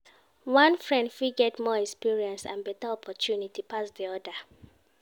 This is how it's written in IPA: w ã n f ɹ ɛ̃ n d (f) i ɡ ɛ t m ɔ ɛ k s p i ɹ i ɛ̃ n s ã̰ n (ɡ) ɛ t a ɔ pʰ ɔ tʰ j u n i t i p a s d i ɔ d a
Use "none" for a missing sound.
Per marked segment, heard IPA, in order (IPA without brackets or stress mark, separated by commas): f, b